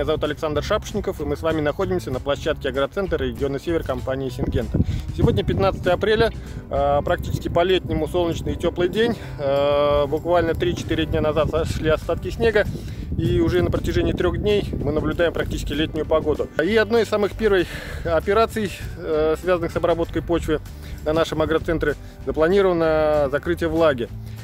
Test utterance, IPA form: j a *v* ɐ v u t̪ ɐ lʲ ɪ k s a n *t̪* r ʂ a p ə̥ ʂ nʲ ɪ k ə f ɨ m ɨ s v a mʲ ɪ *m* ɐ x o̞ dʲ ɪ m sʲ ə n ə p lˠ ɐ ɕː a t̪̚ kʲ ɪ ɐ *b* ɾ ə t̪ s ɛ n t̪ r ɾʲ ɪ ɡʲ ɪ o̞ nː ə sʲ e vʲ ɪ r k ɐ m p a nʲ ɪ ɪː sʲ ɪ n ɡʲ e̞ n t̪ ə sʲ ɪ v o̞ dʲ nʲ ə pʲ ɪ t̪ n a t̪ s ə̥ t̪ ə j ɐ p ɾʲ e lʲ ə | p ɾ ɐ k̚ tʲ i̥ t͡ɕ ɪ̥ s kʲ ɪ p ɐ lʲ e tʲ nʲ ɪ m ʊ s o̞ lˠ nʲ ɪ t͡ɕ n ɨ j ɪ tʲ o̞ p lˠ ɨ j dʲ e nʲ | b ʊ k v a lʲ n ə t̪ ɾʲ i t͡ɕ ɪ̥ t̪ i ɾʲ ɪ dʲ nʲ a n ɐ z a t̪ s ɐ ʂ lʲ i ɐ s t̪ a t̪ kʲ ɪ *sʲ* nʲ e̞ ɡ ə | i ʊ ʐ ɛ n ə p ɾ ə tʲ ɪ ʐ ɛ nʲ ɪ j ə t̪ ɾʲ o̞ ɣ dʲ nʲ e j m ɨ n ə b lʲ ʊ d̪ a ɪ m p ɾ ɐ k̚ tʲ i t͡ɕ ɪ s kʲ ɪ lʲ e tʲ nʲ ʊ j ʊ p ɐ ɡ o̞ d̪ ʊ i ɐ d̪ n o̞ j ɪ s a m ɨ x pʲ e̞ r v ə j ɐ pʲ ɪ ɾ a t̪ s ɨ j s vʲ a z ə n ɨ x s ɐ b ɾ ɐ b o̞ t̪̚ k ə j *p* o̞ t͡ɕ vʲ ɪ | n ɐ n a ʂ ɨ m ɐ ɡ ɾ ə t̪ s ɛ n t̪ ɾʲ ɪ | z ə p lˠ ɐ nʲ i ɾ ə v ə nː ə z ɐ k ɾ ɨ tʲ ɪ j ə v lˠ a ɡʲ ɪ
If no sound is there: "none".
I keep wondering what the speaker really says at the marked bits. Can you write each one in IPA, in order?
z, d̪, n, ɡ, sʲ, p

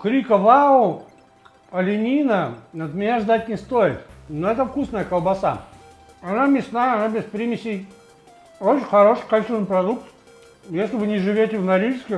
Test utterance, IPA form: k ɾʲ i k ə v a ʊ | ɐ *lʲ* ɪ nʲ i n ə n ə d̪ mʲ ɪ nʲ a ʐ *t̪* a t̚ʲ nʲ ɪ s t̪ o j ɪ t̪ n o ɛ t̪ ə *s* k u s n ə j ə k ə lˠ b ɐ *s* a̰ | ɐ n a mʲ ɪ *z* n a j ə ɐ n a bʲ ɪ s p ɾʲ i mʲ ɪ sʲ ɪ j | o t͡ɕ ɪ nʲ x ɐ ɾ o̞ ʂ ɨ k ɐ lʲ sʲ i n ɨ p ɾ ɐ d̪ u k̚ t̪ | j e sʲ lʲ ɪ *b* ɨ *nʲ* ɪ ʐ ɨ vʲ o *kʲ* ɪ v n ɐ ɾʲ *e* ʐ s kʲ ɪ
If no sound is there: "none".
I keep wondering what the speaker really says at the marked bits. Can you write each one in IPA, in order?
lʲ, d̪, f, s, s, v, nʲ, tʲ, i

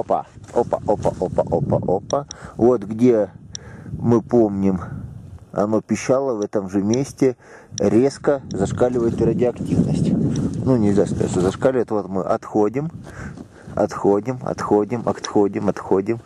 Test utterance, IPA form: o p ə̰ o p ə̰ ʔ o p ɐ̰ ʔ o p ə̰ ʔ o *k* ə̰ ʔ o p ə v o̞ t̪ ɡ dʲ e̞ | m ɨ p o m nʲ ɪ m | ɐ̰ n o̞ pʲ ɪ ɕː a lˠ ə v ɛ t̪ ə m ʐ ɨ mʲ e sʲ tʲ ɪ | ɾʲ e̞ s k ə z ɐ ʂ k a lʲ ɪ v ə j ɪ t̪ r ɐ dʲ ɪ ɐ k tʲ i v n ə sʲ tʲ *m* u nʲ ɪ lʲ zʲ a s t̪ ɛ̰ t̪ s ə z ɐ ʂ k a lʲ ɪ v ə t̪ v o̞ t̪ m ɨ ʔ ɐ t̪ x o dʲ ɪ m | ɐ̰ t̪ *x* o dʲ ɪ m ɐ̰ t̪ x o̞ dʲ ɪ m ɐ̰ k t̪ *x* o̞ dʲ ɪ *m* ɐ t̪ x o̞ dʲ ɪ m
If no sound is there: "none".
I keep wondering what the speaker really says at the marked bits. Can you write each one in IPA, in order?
p, n, x, x, m

